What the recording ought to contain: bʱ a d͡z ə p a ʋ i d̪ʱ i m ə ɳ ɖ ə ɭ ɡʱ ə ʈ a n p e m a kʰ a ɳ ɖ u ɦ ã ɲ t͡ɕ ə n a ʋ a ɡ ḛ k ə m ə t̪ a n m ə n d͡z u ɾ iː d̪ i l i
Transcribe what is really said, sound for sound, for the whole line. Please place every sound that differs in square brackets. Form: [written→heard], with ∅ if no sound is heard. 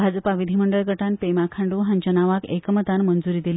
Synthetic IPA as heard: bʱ a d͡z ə p a ʋ i d̪ʱ i m ə ɳ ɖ ə ɭ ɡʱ ə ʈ a n p e m a kʰ a ɳ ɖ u ɦ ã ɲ t͡ɕ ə n a ʋ a [ɡ→k] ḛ k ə m ə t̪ a n m ə n d͡z u ɾ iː d̪ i l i